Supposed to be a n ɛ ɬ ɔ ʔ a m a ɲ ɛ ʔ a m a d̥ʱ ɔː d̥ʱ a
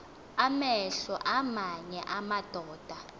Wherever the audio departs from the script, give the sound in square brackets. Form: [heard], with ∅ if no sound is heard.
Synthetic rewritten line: a [m] ɛ ɬ ɔ ʔ a m a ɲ ɛ ʔ a m a d̥ʱ ɔː d̥ʱ a